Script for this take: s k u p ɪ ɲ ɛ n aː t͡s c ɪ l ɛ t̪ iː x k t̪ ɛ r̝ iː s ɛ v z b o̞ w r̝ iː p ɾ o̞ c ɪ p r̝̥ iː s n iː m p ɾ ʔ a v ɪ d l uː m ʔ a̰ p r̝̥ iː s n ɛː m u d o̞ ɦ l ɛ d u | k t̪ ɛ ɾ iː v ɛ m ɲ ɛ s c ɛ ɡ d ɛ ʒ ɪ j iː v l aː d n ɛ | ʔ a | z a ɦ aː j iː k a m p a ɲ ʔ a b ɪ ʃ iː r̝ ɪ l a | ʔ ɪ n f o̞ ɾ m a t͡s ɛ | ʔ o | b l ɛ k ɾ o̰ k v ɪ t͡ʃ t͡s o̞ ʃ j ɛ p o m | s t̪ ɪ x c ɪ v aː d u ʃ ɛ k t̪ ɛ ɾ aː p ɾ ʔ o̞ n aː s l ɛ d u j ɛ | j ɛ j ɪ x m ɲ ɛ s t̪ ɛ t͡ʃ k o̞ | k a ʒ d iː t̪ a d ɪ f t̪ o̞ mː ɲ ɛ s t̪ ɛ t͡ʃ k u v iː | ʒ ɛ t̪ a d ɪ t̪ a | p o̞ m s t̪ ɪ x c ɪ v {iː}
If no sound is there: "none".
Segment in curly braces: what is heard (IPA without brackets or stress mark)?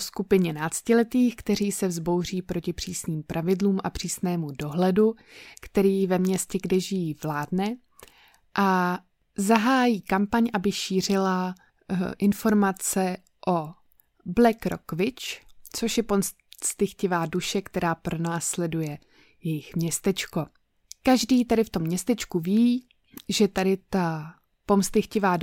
aː